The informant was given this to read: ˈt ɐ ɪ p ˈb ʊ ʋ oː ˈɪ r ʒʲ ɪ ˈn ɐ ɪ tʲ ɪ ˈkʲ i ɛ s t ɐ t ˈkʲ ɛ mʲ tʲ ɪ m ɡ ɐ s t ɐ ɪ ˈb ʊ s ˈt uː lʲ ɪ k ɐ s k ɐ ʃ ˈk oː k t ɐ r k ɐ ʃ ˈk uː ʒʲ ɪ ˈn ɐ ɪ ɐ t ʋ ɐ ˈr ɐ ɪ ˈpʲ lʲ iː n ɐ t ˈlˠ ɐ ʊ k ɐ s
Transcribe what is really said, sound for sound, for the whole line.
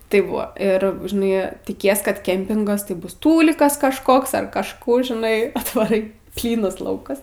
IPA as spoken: ˈt ɐ ɪ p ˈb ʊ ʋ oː ˈɪ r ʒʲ ɪ ˈn ɐ ɪ tʲ ɪ ˈkʲ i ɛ s k ɐ t ˈkʲ ɛ mʲ pʲ ɪ ŋ ɡ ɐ s t ɐ ɪ ˈb ʊ s ˈt uː lʲ ɪ k ɐ s k ɐ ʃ ˈk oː k s ɐ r k ɐ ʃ ˈk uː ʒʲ ɪ ˈn ɐ ɪ ɐ t ʋ ɐ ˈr ɐ ɪ ˈpʲ lʲ iː n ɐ s ˈlˠ ɐ ʊ k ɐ s